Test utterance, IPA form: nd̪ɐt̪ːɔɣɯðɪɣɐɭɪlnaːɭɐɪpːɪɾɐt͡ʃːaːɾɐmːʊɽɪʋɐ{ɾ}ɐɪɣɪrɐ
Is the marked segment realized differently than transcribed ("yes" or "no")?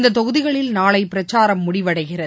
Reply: yes